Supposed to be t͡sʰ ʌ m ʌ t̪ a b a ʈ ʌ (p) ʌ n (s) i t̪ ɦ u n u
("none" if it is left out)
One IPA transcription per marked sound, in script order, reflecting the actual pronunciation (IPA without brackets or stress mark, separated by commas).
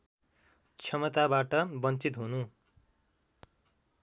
b, t͡s